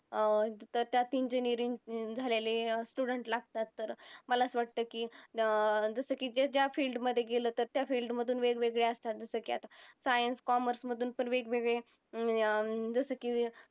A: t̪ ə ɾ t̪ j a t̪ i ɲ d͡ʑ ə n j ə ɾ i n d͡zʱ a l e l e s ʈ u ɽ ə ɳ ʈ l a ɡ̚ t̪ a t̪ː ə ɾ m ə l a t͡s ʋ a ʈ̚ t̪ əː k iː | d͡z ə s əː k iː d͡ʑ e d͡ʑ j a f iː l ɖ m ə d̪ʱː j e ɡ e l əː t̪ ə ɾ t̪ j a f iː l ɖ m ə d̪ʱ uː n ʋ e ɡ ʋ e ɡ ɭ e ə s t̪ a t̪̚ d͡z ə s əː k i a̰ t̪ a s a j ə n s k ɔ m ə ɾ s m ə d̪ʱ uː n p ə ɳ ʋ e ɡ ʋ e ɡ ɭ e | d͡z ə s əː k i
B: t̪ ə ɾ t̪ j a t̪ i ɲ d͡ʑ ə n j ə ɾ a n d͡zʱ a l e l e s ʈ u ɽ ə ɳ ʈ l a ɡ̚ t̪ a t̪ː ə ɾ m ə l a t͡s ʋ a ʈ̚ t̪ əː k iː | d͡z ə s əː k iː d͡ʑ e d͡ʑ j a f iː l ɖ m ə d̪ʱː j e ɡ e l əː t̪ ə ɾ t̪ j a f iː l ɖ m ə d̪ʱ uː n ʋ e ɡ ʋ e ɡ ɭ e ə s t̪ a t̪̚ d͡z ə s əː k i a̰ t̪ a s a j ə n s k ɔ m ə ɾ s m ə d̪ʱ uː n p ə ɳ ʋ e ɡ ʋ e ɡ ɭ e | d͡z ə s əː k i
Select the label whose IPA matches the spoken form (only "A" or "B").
A